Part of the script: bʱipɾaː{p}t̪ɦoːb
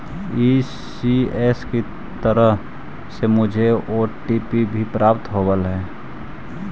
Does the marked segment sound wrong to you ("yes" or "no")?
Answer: no